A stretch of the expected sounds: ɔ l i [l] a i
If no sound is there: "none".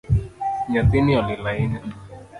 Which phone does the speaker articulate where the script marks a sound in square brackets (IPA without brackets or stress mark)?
l